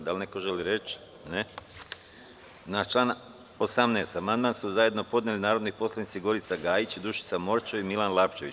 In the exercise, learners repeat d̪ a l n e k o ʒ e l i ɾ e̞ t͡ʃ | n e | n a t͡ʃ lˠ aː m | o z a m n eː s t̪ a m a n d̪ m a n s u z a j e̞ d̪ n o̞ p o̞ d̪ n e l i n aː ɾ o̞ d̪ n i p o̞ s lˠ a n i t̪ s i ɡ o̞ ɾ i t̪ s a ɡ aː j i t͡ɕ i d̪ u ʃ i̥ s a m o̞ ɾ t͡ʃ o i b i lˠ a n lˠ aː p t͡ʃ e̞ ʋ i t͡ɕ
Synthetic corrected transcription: d̪ a l n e k o ʒ e l i ɾ e̞ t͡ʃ | n e | n a t͡ʃ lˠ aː n | o s a m n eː s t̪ a m a n d̪ m a n s u z a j e̞ d̪ n o̞ p o̞ d̪ n e l i n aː ɾ o̞ d̪ n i p o̞ s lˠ a n i t̪ s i ɡ o̞ ɾ i t̪ s a ɡ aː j i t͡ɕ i d̪ u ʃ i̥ s a m o̞ ɾ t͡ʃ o i m i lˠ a n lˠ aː p t͡ʃ e̞ ʋ i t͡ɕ